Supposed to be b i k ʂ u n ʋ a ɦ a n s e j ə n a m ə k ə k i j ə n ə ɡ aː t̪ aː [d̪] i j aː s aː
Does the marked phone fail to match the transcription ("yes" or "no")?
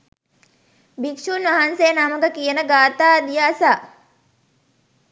no